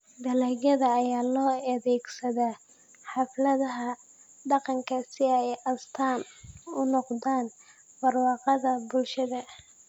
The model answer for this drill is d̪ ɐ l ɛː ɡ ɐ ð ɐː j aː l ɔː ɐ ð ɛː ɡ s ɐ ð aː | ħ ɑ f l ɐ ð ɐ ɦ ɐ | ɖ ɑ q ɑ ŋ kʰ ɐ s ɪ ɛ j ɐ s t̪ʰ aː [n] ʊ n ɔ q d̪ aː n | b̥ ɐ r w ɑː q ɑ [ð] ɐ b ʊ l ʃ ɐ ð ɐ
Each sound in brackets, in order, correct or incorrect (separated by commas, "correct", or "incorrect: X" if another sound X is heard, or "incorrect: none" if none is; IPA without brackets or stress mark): correct, correct